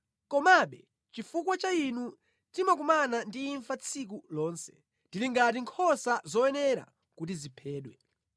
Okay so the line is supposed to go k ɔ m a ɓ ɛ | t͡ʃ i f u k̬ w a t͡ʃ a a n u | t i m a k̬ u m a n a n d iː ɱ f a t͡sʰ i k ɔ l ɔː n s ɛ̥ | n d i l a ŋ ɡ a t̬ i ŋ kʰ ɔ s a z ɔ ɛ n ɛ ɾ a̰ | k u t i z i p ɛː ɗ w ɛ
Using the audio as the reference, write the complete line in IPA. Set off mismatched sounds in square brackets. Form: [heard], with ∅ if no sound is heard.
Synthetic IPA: k ɔ m a ɓ ɛ | t͡ʃ i f u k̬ w a t͡ʃ a [i] n u | t i m a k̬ u m a n a n d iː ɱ f a t͡sʰ i k [u] l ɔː n s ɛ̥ | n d i l [i] ŋ ɡ a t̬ i ŋ kʰ ɔ s a z ɔ ɛ n ɛ ɾ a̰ | k u t i z i [pʰ] ɛː ɗ w ɛ